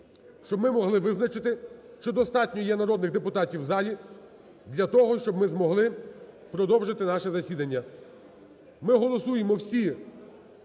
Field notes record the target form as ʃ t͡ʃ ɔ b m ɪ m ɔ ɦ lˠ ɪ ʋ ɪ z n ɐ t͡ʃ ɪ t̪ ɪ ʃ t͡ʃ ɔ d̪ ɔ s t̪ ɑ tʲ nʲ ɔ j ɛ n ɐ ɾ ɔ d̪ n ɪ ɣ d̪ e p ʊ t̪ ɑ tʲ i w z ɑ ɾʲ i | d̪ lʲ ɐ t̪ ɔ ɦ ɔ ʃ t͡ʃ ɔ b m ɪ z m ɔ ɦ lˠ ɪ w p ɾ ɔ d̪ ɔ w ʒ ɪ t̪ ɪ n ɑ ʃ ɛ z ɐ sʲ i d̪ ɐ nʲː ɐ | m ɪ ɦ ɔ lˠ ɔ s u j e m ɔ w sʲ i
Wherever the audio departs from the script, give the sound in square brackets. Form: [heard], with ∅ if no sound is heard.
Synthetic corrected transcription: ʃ t͡ʃ ɔ b m ɪ m ɔ ɦ lˠ ɪ ʋ ɪ z n ɐ t͡ʃ ɪ t̪ ɪ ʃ t͡ʃ ɔ d̪ ɔ s t̪ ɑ tʲ nʲ ɔ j ɛ n ɐ ɾ ɔ d̪ n ɪ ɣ d̪ e p ʊ t̪ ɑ tʲ i w z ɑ [lʲ] i | d̪ lʲ ɐ t̪ ɔ ɦ ɔ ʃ t͡ʃ ɔ b m ɪ z m ɔ ɦ lˠ ɪ [∅] p ɾ ɔ d̪ ɔ w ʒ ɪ t̪ ɪ n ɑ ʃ ɛ z ɐ sʲ i d̪ ɐ nʲː ɐ | m ɪ ɦ ɔ lˠ ɔ s u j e m ɔ w sʲ i